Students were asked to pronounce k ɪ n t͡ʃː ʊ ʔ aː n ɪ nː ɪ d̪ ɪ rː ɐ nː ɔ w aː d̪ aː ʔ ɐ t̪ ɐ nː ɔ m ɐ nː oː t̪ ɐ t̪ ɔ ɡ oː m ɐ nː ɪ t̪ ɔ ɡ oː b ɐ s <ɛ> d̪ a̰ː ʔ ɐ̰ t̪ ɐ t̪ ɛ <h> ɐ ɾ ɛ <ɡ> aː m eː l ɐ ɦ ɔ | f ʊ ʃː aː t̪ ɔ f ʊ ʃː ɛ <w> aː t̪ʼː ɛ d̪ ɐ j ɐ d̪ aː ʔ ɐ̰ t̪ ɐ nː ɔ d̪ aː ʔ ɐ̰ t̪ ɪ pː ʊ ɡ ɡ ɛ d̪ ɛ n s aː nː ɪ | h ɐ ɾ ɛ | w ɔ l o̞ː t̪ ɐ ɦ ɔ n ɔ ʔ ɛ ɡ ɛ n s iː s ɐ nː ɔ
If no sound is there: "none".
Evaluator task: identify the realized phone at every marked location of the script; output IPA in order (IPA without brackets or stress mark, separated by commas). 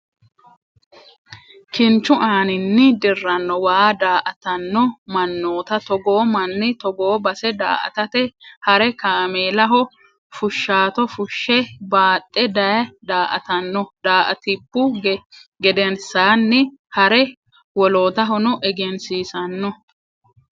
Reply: ɛ, h, k, b